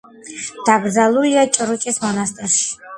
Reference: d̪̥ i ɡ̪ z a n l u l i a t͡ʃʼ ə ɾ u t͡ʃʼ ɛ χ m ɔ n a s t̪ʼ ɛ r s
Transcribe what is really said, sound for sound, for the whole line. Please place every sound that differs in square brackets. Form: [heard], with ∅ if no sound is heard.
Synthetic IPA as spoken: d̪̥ [a] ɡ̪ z a [∅] l u l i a t͡ʃʼ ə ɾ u t͡ʃʼ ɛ [s] m ɔ n a s t̪ʼ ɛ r [ʃ]